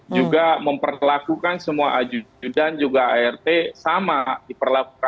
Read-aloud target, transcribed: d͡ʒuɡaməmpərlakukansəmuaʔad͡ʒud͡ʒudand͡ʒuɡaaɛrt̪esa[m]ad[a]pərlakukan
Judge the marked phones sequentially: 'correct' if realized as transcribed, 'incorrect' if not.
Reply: correct, incorrect: i

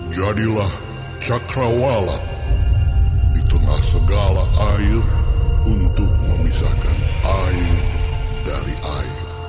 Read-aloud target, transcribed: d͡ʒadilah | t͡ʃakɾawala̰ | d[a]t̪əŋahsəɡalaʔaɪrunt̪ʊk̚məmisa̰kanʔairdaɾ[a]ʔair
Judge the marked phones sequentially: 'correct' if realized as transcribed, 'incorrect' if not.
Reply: incorrect: i, incorrect: i

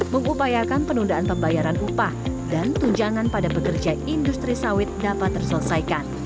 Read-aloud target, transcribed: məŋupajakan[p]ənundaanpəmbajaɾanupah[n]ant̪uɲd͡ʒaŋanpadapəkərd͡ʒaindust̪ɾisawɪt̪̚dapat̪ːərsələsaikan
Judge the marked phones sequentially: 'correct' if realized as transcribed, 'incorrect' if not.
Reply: correct, incorrect: d

